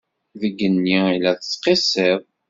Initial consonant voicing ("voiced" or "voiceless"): voiced